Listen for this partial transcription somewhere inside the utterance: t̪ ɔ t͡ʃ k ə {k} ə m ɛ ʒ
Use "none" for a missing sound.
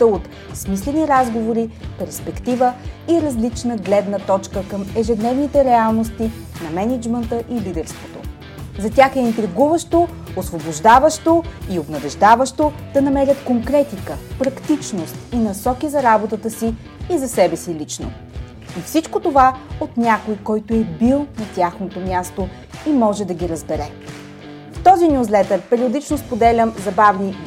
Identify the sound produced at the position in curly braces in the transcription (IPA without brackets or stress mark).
k